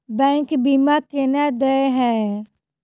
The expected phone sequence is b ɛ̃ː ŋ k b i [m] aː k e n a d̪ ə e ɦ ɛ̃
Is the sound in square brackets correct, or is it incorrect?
correct